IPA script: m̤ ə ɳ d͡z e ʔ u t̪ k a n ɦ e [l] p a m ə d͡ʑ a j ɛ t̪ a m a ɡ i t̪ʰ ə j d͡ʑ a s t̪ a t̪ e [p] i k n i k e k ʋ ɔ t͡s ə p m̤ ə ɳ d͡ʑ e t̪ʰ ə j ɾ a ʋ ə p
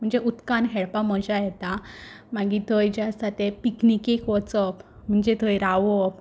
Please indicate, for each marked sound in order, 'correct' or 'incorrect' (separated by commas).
incorrect, correct